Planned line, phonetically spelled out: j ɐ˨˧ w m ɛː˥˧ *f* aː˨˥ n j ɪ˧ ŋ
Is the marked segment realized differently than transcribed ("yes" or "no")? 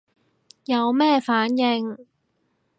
no